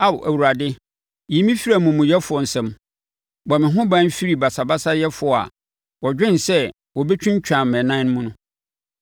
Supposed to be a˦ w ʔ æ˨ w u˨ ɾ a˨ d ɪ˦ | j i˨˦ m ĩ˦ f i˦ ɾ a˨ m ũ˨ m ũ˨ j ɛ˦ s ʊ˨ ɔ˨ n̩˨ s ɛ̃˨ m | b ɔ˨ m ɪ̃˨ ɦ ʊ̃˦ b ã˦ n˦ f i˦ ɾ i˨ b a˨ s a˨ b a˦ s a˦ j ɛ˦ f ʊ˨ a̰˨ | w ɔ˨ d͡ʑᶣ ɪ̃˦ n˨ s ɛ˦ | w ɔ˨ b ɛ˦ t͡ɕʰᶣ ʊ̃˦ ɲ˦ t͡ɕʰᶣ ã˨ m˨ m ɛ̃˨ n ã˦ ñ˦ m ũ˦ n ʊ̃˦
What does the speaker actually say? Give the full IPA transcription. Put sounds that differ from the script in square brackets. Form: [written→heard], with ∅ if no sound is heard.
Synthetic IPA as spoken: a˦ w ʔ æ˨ w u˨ ɾ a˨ d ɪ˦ | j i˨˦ m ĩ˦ f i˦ ɾ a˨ m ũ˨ m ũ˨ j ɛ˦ [s→f] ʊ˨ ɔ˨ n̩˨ s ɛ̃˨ m | b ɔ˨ m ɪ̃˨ ɦ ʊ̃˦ b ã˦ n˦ f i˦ ɾ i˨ b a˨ s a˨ b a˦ s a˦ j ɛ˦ f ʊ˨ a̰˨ | w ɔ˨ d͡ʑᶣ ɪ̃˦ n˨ s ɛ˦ | w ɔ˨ b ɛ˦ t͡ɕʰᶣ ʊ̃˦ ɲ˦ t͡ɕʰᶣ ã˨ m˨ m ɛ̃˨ n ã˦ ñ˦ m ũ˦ n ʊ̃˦